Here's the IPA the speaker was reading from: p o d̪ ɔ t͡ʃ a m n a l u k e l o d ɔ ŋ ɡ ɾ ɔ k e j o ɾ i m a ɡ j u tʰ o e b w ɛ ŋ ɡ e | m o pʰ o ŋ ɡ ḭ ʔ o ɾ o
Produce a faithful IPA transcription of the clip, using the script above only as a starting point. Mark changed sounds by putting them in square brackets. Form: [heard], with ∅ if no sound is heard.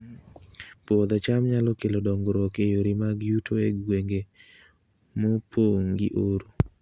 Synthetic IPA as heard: p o d̪ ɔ t͡ʃ a m [ɲ] a l [ɔ] k e l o d ɔ ŋ ɡ ɾ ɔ k e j o ɾ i m a ɡ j u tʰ o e [ɡ] w [e] ŋ ɡ e | m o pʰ o ŋ ɡ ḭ ʔ o ɾ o

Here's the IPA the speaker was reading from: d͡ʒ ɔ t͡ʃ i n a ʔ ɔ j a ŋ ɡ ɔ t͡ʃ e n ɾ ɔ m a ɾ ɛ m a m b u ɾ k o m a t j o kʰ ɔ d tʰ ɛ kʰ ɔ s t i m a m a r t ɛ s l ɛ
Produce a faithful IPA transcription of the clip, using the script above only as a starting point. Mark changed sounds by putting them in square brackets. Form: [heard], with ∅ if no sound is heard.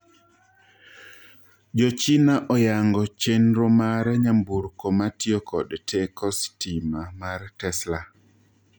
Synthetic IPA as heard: d͡ʒ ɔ t͡ʃ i n a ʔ ɔ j a ŋ ɡ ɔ t͡ʃ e n ɾ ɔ m a ɾ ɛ [ɲ] a m b u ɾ k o m a t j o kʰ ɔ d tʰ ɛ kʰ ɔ s t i m a m a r t ɛ s l [a]

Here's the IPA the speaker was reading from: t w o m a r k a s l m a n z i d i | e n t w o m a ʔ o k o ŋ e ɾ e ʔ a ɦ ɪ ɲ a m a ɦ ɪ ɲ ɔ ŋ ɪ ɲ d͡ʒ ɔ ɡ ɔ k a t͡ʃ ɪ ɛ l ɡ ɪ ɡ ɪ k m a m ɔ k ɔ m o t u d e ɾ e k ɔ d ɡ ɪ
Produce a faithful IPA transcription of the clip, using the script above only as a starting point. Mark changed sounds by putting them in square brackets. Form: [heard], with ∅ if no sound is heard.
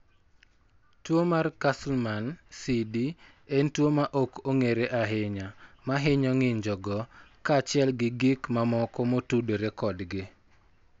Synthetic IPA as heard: t w o m a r k a s l m a n [s] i d i | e n t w o m a ʔ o k o ŋ e ɾ e ʔ a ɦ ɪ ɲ a m a ɦ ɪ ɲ ɔ ŋ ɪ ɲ d͡ʒ ɔ ɡ ɔ k a t͡ʃ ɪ ɛ l ɡ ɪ ɡ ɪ k m a m ɔ k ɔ m o t u d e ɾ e k ɔ d ɡ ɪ

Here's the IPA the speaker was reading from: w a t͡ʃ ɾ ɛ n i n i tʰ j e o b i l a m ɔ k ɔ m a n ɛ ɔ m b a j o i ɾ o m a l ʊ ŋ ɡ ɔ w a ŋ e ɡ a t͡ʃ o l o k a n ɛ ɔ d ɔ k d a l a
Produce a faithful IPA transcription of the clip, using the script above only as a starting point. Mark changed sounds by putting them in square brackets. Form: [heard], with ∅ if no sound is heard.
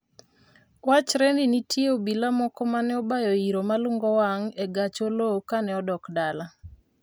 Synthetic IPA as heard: w a t͡ʃ ɾ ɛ n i n i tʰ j e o b i l a m ɔ k ɔ m a n ɛ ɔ [∅] b a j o i ɾ o m a l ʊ ŋ ɡ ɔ w a ŋ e ɡ a t͡ʃ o l o k a n ɛ ɔ d ɔ k d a l a

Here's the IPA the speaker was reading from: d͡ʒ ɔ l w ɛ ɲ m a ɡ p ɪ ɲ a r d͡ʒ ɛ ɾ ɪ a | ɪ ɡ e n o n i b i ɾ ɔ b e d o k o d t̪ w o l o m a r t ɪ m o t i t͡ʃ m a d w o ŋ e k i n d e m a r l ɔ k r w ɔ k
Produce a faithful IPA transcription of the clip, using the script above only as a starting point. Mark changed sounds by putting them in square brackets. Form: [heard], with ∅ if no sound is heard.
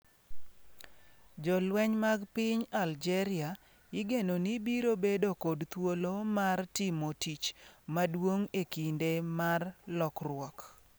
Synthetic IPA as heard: d͡ʒ ɔ l w ɛ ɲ m a ɡ p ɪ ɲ a [l] d͡ʒ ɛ ɾ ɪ a | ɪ ɡ e n o n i b i ɾ [o] b e d o k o d t̪ w o l o m a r t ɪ m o t i t͡ʃ m a d w o ŋ e k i n d e m a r l ɔ k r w ɔ k

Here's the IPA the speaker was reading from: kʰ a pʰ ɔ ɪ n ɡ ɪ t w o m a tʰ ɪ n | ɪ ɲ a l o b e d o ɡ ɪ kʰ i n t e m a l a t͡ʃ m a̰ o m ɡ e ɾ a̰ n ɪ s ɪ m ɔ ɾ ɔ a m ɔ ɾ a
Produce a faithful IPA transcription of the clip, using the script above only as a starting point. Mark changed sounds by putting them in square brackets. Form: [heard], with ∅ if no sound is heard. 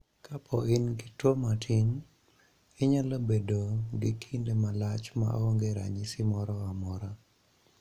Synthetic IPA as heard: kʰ a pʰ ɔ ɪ n ɡ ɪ t w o m a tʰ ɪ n | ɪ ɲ a l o b e d o ɡ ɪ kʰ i n [d] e m a l a t͡ʃ m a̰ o [ŋ] ɡ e ɾ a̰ [ɲ] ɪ s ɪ m ɔ ɾ ɔ a m ɔ ɾ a

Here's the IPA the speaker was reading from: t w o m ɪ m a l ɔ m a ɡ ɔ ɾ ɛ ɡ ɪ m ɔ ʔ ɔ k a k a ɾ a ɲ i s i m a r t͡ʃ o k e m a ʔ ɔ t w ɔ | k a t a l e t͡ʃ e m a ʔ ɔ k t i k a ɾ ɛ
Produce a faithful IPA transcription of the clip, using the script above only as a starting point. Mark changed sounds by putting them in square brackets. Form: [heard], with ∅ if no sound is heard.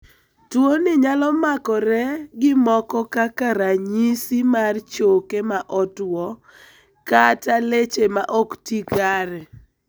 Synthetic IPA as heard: t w o [n] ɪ [ɲ] a l ɔ m a [k] ɔ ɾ ɛ ɡ ɪ m ɔ [k] ɔ k a k a ɾ a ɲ i s i m a r t͡ʃ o k e m a ʔ ɔ t w ɔ | k a t a l e t͡ʃ e m a ʔ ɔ k t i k a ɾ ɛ

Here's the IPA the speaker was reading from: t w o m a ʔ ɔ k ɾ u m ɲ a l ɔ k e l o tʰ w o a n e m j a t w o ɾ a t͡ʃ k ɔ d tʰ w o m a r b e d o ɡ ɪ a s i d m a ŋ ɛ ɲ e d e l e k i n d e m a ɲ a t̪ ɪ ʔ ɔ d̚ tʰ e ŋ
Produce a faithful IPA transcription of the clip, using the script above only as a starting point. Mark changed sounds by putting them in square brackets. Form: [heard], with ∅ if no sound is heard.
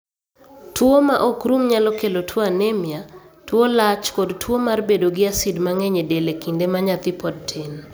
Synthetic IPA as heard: t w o m a ʔ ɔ k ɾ u m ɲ a l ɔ k e l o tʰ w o a n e m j a t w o [l] a t͡ʃ k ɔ d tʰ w o m a r b e d o ɡ ɪ a s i d m a ŋ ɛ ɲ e d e l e k i n d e m a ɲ a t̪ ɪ [p] ɔ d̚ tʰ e [n]

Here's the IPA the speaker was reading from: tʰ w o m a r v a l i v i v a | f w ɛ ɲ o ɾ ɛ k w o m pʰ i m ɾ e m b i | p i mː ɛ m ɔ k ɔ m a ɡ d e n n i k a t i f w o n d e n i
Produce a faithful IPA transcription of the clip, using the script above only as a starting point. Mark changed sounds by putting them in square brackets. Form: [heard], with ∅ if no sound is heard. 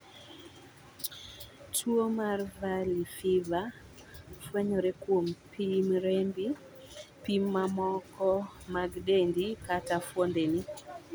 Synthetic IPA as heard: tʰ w o m a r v a l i [f] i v a | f w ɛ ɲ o ɾ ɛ k w o m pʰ i m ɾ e m b i | p i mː [a] m ɔ k ɔ m a ɡ d e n [d] i k a t [a] f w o n d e n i

